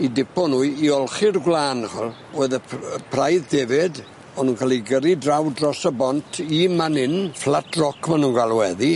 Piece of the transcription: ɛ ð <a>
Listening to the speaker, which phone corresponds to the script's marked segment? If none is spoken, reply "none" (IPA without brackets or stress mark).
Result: i